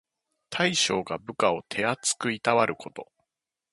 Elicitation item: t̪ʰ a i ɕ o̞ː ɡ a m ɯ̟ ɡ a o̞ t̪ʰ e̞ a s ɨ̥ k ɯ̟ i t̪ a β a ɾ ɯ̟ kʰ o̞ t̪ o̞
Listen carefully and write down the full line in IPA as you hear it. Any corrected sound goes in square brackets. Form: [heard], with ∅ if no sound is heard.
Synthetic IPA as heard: t̪ʰ a i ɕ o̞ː ɡ a [b] ɯ̟ [k] a o̞ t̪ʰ e̞ a [t͡s] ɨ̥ k ɯ̟ i t̪ a β a ɾ ɯ̟ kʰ o̞ t̪ o̞